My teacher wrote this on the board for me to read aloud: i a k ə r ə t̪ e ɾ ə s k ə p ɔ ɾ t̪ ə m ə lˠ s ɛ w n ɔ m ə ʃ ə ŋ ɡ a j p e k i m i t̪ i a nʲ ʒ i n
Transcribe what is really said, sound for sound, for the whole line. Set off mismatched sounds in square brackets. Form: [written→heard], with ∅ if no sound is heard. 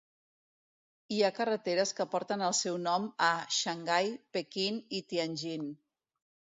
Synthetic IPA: i a k ə r ə t̪ e ɾ ə s k ə p ɔ ɾ t̪ ə [m→n] ə lˠ s ɛ w n ɔ m ə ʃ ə ŋ ɡ a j p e k i [m→n] i t̪ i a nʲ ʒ i n

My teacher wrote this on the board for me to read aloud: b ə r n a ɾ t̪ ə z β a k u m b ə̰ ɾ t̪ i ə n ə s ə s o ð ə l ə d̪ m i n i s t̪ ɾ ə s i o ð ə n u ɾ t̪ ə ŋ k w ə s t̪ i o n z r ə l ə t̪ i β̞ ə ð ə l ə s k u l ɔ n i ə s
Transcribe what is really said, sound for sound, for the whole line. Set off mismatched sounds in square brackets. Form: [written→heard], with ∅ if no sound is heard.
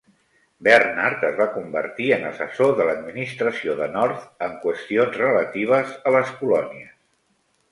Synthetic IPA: b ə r n a ɾ t̪ ə z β a k u m b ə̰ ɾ t̪ i ə n ə s ə s o ð ə l ə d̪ m i n i s t̪ ɾ ə s i o ð ə n [u→ɔ] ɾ t̪ ə ŋ k w ə s t̪ i o n z r ə l ə t̪ i β̞ ə [ð→z] ə l ə s k u l ɔ n i ə s

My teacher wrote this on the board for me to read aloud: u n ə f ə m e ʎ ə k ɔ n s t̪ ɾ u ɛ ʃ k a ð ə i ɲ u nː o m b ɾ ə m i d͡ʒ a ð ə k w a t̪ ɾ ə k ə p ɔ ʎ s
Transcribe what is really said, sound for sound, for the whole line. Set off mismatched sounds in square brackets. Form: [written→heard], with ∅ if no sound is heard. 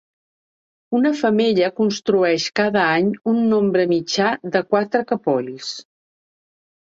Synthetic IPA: u n ə f ə m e ʎ ə k [ɔ→u] n s t̪ ɾ u ɛ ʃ k a ð ə [i→a] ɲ u nː o m b ɾ ə m i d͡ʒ a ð ə k w a t̪ ɾ ə k ə p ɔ ʎ s

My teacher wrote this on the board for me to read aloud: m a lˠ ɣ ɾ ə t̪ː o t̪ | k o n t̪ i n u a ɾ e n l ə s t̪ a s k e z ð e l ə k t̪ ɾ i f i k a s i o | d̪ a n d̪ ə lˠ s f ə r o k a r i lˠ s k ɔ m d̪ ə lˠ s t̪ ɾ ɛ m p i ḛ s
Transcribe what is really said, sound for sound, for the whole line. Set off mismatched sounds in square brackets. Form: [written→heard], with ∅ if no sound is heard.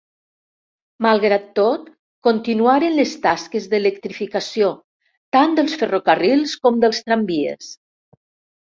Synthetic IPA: m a lˠ ɣ ɾ [ə→a] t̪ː o t̪ | k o n t̪ i n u a ɾ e n l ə s t̪ a s k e z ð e l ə k t̪ ɾ i f i k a s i o | [d̪→t̪] a n d̪ ə lˠ s f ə r o k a r i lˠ s k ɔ m d̪ ə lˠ s t̪ ɾ [ɛ→a] m [p→b] i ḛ s

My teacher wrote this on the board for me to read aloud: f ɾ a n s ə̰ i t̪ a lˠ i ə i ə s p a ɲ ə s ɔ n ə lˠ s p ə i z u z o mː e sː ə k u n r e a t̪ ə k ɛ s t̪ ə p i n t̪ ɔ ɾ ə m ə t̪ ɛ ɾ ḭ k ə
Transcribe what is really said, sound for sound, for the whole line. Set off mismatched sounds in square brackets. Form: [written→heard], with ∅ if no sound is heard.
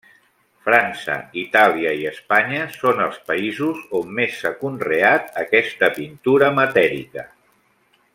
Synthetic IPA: f ɾ a n s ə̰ i t̪ a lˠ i ə i ə s p a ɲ ə s [ɔ→o] n ə lˠ s p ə i z u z o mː e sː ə k u n r e a t̪ ə k ɛ s t̪ ə p i n t̪ [ɔ→u] ɾ ə m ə t̪ ɛ ɾ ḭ k ə

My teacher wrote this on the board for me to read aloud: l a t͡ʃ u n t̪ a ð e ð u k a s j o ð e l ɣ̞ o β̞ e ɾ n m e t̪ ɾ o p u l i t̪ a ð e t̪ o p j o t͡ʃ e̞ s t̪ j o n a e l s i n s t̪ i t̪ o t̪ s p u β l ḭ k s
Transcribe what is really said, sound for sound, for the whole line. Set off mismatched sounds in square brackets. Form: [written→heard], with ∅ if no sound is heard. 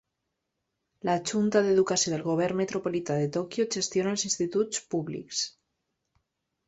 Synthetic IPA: l a t͡ʃ u n t̪ a ð e ð u k a s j o ð e l ɣ̞ o β̞ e ɾ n m e t̪ ɾ o p [u→o] l i t̪ a ð e t̪ o [p→k] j o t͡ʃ e̞ s t̪ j o n a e l s i n s t̪ i t̪ [o→u] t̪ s p u β l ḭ k s

